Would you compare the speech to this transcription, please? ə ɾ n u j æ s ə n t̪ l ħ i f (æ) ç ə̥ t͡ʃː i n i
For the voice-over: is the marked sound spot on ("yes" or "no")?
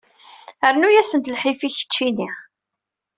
no